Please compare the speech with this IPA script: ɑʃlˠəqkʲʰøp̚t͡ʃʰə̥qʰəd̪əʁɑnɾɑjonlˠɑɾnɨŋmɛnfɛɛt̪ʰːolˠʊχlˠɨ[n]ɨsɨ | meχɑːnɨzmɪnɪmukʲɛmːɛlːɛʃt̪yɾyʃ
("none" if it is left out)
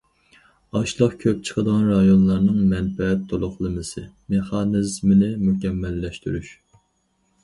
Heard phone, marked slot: m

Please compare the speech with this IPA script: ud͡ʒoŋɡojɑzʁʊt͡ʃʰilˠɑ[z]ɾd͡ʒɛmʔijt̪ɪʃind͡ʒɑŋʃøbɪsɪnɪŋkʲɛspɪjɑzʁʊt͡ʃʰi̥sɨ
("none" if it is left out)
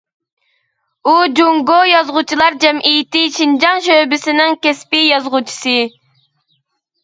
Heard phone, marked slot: none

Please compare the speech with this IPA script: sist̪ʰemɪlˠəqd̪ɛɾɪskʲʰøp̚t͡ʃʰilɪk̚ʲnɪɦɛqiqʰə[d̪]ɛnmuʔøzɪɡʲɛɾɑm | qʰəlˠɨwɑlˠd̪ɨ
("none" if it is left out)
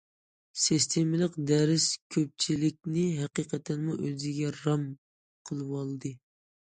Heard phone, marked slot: t̪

